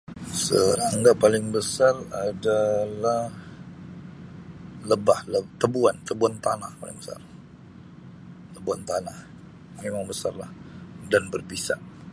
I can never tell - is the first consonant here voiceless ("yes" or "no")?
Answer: yes